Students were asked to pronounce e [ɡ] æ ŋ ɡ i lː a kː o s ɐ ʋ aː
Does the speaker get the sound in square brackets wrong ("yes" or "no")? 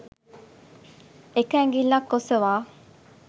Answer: yes